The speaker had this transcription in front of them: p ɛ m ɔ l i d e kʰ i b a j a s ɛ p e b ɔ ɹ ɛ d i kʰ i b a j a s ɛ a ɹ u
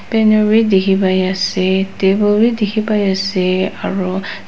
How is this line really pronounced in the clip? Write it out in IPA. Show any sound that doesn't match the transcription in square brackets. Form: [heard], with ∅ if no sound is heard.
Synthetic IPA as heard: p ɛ [n] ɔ [ɹ] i d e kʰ i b a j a s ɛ [t] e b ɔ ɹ [i] d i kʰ i b a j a s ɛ a ɹ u